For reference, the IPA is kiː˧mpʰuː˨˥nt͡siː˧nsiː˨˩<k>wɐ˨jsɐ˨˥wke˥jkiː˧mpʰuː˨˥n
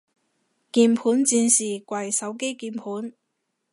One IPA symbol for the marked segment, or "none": k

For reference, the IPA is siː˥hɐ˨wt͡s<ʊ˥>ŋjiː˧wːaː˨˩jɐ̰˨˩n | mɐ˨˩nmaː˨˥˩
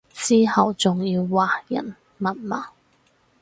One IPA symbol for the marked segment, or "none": ʊ˨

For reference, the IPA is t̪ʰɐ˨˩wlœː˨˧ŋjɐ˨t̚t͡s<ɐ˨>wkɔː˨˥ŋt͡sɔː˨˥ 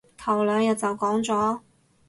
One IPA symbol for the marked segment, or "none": ɐ˨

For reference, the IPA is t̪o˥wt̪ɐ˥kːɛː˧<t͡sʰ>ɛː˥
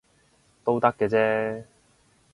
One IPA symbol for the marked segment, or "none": t͡s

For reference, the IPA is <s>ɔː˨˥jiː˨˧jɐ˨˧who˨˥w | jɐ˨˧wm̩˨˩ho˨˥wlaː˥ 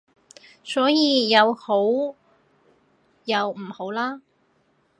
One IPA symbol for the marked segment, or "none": s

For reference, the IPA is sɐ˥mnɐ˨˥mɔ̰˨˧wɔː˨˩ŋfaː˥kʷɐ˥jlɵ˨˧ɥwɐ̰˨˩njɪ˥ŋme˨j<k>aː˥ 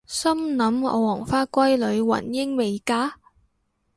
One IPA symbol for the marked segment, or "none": k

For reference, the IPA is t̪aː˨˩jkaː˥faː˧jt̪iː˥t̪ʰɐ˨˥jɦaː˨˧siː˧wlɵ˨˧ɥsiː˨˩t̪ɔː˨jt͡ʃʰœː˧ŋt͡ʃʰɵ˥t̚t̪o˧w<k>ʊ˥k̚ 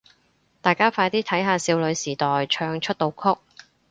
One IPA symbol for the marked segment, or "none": kʰ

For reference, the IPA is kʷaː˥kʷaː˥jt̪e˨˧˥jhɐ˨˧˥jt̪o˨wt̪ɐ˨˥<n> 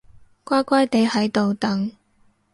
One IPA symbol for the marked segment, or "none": ŋ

